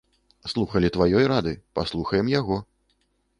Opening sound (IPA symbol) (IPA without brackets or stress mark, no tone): s